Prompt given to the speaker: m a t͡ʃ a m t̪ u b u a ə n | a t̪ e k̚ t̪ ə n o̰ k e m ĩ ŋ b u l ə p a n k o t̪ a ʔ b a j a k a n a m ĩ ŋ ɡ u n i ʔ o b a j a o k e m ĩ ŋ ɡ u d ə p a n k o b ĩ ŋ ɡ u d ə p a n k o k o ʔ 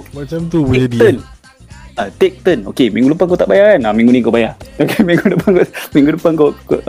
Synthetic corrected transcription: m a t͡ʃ a m t̪ u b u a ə n | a t̪ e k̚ t̪ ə n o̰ k e m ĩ ŋ ɡ u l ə p a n k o t̪ a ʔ b a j a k a n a m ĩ ŋ ɡ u n i k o b a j a o k e m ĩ ŋ ɡ u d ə p a n k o m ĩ ŋ ɡ u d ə p a n k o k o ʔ